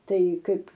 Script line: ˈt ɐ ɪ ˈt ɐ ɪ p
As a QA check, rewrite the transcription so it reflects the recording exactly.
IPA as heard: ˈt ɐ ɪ ˈk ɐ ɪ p